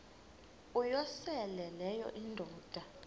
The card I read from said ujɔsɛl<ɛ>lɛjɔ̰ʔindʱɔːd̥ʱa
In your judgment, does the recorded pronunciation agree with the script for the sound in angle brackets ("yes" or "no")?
yes